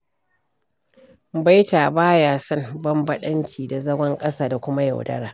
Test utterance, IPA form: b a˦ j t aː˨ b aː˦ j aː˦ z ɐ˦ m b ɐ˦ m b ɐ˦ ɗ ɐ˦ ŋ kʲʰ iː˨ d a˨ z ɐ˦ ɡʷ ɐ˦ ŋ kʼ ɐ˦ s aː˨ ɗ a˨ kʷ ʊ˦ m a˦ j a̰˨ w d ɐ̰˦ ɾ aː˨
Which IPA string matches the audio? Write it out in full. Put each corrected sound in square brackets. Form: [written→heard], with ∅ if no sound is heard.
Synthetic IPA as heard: b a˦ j t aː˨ b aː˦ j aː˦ [z→s] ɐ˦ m b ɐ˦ m b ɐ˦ ɗ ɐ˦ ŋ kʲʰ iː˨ d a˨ z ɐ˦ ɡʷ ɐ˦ ŋ kʼ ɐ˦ s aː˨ [ɗ→d] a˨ kʷ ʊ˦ m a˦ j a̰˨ w d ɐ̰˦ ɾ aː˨